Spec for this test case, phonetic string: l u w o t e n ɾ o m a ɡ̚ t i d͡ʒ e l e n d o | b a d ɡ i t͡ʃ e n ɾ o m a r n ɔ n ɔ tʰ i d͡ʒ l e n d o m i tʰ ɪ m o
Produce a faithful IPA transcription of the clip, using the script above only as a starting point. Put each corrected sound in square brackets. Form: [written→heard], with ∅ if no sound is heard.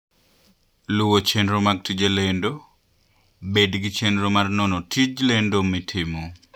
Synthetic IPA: l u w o [t→t͡ʃ] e n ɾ o m a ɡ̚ t i d͡ʒ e l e n d o | b [a→e] d ɡ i t͡ʃ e n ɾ o m a r n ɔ n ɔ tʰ i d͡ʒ l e n d o m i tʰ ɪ m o